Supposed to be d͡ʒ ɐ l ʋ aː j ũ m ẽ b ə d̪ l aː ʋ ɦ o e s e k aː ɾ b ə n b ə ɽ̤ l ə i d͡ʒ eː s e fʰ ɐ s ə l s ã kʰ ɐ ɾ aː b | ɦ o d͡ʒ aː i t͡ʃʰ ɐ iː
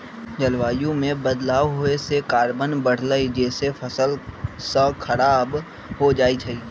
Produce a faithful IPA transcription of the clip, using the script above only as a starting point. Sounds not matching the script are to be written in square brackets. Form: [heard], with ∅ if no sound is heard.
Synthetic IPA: d͡ʒ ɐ l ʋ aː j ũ m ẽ b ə d̪ l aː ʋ ɦ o e s e k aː ɾ b ə n b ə ɽ̤ l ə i d͡ʒ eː s e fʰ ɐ s ə l s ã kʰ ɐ ɾ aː b | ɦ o d͡ʒ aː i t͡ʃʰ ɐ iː